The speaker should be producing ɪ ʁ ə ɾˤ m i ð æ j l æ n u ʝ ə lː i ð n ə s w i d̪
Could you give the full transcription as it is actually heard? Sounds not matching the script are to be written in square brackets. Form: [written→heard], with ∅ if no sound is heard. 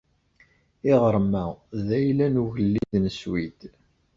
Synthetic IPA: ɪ ʁ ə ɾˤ m [i→æ] ð æ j l æ n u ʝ ə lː i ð n ə s w i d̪